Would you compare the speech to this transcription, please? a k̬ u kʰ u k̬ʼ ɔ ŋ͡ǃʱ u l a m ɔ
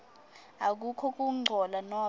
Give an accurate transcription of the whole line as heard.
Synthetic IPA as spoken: a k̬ u kʰ ɔ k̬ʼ u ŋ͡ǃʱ ɔ l a n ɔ